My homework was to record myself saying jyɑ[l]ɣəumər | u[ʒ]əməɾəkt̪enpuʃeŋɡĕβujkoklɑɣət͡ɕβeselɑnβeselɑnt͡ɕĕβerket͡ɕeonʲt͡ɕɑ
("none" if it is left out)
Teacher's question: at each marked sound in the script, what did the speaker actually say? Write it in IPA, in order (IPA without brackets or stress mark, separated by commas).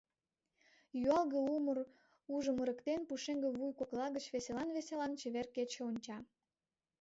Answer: l, ʒ